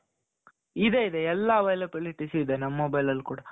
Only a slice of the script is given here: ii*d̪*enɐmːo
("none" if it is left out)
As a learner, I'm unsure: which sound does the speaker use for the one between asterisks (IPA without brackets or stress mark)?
d̪